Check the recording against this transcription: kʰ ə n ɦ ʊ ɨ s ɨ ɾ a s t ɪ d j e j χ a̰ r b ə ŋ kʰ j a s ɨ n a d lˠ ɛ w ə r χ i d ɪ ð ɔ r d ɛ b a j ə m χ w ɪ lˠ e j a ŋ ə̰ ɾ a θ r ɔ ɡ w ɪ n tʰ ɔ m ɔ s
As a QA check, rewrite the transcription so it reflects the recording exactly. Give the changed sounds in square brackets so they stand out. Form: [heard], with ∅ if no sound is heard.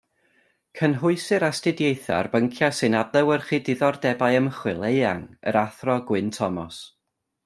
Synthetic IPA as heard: kʰ ə n ɦ ʊ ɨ s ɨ ɾ a s t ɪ d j e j [θ] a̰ r b ə ŋ kʰ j a s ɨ n a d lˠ ɛ w ə r χ i d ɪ ð ɔ r d ɛ b a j ə m χ w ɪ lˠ e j a ŋ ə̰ ɾ a θ r ɔ ɡ w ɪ n tʰ ɔ m ɔ s